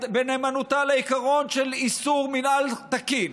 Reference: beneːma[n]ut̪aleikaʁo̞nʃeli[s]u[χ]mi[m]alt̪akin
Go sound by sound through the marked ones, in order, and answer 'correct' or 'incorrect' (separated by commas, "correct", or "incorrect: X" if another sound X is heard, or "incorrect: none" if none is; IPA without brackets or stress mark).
correct, correct, incorrect: ʁ, incorrect: n